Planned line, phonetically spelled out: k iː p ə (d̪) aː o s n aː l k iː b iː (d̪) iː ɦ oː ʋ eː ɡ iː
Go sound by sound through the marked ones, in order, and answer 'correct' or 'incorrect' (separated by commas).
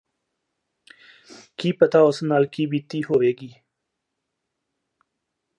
incorrect, incorrect